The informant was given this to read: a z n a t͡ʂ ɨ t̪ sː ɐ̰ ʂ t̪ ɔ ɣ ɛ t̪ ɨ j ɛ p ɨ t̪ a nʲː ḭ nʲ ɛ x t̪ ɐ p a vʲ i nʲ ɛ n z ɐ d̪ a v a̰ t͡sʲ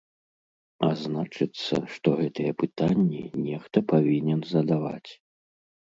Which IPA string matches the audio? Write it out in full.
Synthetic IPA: a z n a t͡ʂ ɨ t̪ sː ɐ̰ ʂ t̪ ɔ ɣ ɛ t̪ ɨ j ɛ p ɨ t̪ a nʲː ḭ nʲ ɛ x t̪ ɐ p a vʲ i nʲ ɛ n z ɐ d̪ a v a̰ t͡sʲ